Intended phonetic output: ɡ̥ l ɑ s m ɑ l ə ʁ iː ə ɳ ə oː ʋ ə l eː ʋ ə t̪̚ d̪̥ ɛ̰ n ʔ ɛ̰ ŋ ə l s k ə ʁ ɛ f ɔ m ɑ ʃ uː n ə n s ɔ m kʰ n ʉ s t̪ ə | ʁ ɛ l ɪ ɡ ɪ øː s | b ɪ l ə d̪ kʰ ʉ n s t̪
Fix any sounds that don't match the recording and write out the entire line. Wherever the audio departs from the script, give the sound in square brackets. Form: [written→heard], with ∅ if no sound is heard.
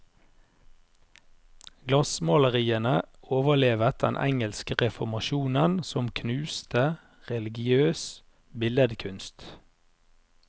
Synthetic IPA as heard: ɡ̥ l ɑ s m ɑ l ə ʁ iː ə [ɳ→n] ə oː ʋ ə l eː ʋ ə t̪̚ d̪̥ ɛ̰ n ʔ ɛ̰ ŋ ə l s k ə ʁ ɛ f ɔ m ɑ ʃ uː n ə n s ɔ m kʰ n [ʉ→ʉː] s t̪ ə | ʁ ɛ l ɪ ɡ ɪ øː s | b ɪ l ə d̪ kʰ ʉ n s t̪